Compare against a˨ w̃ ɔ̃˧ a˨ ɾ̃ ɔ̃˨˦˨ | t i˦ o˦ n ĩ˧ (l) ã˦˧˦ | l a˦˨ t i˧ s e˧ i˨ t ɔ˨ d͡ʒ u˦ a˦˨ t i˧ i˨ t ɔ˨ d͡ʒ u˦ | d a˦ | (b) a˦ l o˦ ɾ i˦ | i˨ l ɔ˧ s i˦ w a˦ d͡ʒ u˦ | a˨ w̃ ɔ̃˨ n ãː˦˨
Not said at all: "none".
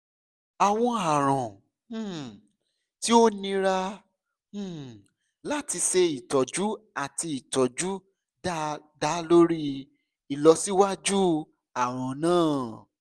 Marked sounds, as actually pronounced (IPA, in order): ɾ, d

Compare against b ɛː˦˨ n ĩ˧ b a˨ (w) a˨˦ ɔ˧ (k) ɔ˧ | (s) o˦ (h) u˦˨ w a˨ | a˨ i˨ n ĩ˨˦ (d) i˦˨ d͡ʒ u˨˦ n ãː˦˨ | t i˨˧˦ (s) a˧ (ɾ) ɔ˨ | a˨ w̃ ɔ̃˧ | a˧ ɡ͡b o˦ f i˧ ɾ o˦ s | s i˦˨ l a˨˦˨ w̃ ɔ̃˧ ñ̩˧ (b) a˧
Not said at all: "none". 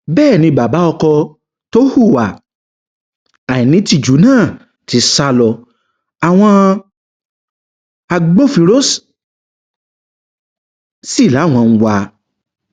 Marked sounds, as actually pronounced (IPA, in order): b, k, t, h, t, s, l, w

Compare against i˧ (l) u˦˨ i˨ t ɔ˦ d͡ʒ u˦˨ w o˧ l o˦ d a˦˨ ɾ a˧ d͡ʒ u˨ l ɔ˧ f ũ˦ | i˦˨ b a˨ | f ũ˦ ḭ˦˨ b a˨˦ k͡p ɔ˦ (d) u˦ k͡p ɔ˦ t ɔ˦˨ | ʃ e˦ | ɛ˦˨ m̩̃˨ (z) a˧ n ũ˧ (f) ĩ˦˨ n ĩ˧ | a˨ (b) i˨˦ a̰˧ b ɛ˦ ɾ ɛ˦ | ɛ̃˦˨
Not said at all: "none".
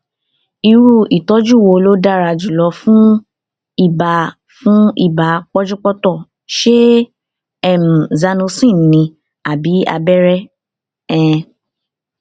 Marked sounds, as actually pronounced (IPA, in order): ɾ, d͡ʒ, z, s, b

